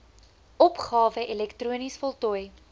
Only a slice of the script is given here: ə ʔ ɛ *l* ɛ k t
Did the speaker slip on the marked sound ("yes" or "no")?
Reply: no